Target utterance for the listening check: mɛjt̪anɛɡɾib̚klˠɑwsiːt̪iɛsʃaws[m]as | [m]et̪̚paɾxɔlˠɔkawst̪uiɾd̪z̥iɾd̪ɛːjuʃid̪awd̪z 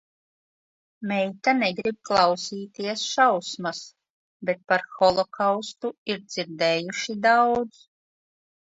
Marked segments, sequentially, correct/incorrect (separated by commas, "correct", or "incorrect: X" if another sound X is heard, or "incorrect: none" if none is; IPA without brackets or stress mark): correct, incorrect: b